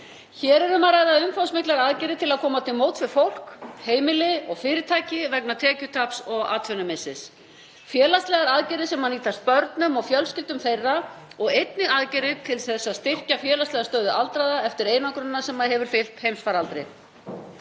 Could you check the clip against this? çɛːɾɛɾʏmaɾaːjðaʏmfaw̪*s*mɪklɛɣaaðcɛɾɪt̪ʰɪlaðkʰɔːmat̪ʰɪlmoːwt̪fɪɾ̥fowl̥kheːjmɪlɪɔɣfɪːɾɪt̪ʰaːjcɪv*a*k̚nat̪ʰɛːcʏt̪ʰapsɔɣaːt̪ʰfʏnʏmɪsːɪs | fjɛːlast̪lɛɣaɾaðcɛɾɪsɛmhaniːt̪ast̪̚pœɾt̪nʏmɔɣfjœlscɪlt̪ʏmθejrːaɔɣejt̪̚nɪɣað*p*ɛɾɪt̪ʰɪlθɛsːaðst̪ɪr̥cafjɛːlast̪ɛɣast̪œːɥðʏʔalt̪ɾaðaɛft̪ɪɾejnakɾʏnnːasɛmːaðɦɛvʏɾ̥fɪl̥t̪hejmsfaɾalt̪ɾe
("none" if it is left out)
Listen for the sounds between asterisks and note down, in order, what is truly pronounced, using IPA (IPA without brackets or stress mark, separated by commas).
s, ɛ, c